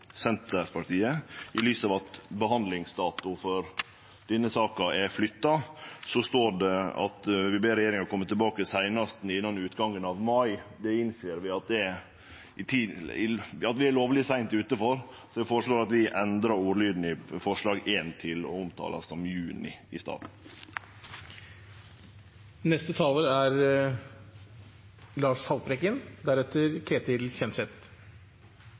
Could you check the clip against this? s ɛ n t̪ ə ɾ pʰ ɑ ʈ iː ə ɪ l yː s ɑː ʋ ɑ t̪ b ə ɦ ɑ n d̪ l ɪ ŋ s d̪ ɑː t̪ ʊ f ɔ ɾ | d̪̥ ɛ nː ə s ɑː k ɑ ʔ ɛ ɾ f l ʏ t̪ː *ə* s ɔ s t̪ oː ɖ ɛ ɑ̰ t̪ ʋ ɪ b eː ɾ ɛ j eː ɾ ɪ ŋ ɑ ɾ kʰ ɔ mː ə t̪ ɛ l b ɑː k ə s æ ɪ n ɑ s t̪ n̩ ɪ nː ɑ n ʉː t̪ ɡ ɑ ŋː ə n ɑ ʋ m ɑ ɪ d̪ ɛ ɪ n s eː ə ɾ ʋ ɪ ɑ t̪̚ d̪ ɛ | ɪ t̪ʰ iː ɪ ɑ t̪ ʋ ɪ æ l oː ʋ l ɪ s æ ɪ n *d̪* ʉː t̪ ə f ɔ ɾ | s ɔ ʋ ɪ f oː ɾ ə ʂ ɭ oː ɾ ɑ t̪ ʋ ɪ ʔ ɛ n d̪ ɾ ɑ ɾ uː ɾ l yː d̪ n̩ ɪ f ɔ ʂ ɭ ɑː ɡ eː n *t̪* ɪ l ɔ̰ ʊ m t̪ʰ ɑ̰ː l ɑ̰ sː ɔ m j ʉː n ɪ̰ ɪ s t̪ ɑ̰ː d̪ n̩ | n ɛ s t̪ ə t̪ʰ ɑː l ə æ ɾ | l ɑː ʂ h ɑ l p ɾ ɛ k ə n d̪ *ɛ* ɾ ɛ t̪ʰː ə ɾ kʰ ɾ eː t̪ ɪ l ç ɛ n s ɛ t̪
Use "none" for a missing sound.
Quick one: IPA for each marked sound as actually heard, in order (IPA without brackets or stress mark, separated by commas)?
ɑ, t̪, t̪ʰ, æ